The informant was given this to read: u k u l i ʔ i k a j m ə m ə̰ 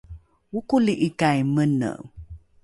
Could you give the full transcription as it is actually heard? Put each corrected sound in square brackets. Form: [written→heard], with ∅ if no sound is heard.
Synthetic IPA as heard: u k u l i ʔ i k a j m ə [m→n] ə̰